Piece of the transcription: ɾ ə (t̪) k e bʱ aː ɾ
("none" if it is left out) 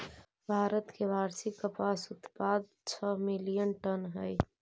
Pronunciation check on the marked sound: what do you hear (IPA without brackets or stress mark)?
t̪